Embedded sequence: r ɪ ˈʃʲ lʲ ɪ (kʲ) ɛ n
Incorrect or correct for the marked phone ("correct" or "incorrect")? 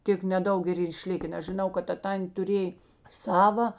correct